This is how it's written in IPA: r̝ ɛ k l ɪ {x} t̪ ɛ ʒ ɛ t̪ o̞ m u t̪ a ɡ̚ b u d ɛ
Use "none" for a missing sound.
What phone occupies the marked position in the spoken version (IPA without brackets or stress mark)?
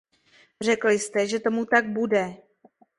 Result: s